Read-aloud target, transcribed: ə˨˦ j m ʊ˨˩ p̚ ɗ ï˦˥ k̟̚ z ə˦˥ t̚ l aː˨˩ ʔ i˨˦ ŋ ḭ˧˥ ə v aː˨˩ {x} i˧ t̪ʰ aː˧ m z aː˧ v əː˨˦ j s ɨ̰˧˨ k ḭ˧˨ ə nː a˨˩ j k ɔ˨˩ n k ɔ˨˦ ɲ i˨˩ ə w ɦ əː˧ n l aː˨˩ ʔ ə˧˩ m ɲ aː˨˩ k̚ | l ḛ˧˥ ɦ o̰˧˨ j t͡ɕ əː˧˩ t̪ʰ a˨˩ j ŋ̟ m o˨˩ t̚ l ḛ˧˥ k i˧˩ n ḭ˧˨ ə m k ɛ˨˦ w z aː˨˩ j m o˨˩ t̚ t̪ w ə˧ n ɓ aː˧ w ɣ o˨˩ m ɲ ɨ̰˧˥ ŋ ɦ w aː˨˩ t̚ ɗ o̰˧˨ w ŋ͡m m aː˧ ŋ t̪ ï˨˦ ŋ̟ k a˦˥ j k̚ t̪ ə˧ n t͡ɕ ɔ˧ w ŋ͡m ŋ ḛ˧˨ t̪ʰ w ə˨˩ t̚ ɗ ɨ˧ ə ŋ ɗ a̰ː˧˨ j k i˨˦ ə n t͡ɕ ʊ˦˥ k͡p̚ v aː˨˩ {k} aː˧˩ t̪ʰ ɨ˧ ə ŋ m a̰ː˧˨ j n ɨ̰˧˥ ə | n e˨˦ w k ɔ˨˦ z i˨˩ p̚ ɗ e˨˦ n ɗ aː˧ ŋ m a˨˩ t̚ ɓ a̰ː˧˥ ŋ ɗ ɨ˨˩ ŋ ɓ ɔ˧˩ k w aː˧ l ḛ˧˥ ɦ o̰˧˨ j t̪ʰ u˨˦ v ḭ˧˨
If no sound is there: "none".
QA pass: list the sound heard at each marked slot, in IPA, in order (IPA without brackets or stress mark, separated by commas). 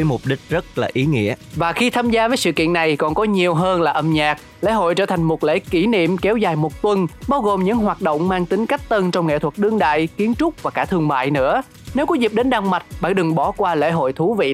x, k